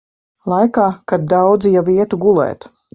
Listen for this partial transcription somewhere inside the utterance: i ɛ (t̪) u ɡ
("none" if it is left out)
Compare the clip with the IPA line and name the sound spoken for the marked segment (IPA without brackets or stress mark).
t̪